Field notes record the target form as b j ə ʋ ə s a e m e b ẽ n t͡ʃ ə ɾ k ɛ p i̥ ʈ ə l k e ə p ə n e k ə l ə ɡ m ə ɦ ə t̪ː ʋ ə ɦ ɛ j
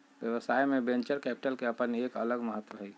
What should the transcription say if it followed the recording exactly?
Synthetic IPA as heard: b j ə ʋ ə s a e m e b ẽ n t͡ʃ ə ɾ k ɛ p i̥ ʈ ə l k e ə p ə n e k ə l ə ɡ m ə ɦ ə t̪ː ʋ ə ɦ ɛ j

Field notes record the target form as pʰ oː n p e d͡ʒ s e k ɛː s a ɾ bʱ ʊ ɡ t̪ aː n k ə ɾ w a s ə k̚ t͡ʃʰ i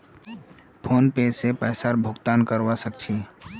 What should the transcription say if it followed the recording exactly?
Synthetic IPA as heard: pʰ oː n p e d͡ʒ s e p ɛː s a ɾ bʱ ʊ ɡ t̪ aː n k ə ɾ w a s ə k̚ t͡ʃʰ i

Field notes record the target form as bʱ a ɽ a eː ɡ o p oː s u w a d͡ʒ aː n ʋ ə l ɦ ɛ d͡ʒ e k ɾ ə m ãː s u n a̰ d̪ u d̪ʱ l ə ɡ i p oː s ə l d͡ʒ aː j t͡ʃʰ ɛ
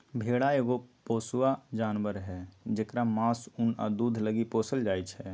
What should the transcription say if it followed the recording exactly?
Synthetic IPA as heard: bʱ e ɽ a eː ɡ o p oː s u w a d͡ʒ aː n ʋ ə ɾ ɦ ɛ d͡ʒ e k ɾ a m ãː s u n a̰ d̪ u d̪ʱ l ə ɡ i p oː s ə l d͡ʒ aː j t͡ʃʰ ɛ

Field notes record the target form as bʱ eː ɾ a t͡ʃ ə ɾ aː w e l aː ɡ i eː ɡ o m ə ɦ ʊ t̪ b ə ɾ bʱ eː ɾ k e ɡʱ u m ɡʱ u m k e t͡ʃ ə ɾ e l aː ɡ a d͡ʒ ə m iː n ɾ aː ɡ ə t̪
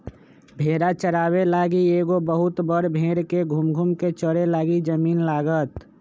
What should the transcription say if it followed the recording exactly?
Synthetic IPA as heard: bʱ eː ɾ a t͡ʃ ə ɾ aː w e l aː ɡ i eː ɡ o b ə ɦ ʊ t̪ b ə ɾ bʱ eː ɾ k e ɡʱ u m ɡʱ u m k e t͡ʃ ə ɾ e l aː ɡ i d͡ʒ ə m iː n l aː ɡ ə t̪

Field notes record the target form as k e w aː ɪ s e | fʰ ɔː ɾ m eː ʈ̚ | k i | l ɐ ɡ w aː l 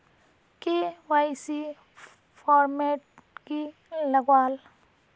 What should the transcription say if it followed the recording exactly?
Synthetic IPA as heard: k e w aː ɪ s i | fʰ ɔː ɾ m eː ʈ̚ | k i | l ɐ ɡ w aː l

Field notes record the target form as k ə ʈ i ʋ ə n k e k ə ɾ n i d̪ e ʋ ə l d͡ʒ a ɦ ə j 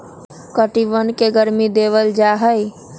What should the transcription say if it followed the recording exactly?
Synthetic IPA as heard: k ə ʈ i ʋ ə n k e ɡ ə ɾ m i d̪ e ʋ ə l d͡ʒ a ɦ ə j

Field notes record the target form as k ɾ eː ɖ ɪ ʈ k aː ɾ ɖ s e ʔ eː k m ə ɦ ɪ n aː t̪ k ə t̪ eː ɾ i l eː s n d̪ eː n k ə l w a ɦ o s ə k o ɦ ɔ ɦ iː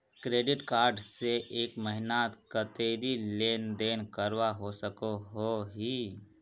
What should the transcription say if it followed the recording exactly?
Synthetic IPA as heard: k ɾ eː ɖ ɪ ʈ k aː ɾ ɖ s e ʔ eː k m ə ɦ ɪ n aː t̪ k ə t̪ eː ɾ i l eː n d̪ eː n k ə ɾ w a ɦ o s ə k o ɦ o ɦ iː

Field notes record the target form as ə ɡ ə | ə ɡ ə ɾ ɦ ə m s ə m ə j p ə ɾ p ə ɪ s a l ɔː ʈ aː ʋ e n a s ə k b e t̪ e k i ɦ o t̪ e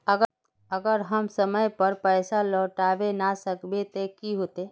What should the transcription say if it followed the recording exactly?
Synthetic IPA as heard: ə ɡ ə | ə ɡ ə ɾ ɦ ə m s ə m ə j p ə ɾ p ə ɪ s a l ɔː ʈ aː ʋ e n a s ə k b e t̪ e k i ɦ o t̪ e

